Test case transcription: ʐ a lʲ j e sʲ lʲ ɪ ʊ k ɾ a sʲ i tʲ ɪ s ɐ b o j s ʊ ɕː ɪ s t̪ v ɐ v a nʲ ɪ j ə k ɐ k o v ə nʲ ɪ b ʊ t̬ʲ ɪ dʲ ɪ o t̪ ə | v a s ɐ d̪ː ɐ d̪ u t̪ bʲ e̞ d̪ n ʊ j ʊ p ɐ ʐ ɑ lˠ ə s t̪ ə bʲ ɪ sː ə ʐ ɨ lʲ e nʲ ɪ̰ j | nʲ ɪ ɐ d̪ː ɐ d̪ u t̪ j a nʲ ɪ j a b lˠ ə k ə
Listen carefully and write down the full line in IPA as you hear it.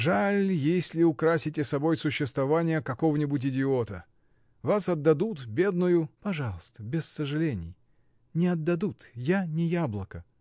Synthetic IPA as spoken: ʐ a lʲ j e sʲ lʲ ɪ ʊ k ɾ a sʲ ɪ tʲ ɪ s ɐ b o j s ʊ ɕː ɪ s t̪ v ɐ v a nʲ ɪ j ə k ɐ k o v ə nʲ ɪ b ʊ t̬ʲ ɪ dʲ ɪ o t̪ ə | v a s ɐ d̪ː ɐ d̪ u t̪ bʲ e̞ d̪ n ʊ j ʊ p ɐ ʐ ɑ lˠ ə s t̪ ə bʲ ɪ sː ə ʐ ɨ lʲ e nʲ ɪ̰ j | nʲ ɪ ɐ d̪ː ɐ d̪ u t̪ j a nʲ ɪ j a b lˠ ə k ə